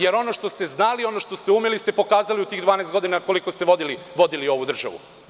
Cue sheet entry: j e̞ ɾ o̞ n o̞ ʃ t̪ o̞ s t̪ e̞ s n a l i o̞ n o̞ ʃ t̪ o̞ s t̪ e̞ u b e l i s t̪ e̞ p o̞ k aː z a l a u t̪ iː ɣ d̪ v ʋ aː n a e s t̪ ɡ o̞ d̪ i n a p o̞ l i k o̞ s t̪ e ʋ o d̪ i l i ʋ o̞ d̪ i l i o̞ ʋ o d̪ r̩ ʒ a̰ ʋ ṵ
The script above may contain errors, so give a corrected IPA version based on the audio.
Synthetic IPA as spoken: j e̞ ɾ o̞ n o̞ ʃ t̪ o̞ s t̪ e̞ z n a l i o̞ n o̞ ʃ t̪ o̞ s t̪ e̞ u m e l i s t̪ e̞ p o̞ k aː z a l i u t̪ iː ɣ d̪ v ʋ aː n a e s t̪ ɡ o̞ d̪ i n a k o̞ l i k o̞ s t̪ e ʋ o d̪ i l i ʋ o̞ d̪ i l i o̞ ʋ u d̪ r̩ ʒ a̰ ʋ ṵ